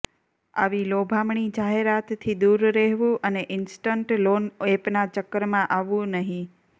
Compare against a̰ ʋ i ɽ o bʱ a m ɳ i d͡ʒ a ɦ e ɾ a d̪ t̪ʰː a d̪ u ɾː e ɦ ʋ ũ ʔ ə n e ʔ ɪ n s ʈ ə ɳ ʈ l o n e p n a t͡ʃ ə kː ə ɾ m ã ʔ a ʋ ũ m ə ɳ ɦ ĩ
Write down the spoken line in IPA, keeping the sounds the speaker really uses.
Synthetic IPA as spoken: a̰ ʋ i l o bʱ a m ɳ i d͡ʒ a ɦ e ɾ a t̪ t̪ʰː i d̪ u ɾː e ɦ ʋ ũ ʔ ə n e ʔ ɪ n s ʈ ə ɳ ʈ l o n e p n a t͡ʃ ə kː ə ɾ m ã ʔ a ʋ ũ n ə ɦ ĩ